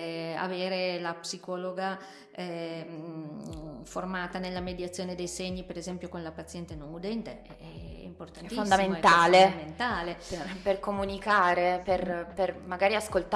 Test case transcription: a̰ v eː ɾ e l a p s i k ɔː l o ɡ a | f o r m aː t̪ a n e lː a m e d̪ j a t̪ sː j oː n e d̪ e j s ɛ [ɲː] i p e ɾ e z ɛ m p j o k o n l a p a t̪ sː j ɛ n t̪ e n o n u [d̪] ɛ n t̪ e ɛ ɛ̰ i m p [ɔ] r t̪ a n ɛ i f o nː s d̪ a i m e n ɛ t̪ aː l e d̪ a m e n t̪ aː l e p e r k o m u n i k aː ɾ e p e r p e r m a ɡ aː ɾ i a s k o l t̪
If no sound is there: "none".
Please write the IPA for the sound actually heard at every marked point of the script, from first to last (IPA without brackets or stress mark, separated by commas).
ɲː, d̪, o